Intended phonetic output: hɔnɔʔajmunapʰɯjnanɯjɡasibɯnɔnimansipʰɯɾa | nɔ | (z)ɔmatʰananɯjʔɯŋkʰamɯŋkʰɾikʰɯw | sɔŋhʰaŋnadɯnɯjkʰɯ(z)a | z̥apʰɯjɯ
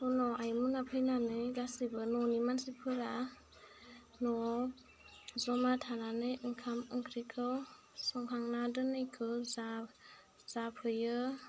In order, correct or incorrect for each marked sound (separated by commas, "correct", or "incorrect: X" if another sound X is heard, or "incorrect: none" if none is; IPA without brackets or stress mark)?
correct, correct